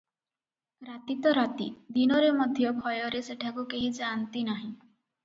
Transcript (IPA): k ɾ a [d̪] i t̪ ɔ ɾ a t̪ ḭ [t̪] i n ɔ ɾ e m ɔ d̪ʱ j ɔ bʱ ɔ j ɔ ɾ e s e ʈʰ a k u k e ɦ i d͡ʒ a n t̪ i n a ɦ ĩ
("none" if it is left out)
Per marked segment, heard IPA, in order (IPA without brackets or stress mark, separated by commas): t̪, d̪